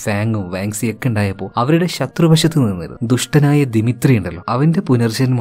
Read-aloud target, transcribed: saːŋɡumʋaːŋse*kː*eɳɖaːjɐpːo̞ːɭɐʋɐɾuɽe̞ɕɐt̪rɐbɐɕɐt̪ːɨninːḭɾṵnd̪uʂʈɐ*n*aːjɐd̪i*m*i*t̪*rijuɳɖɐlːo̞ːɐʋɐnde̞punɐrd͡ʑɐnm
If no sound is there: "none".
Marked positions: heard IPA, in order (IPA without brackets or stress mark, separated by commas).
kː, n, m, t̪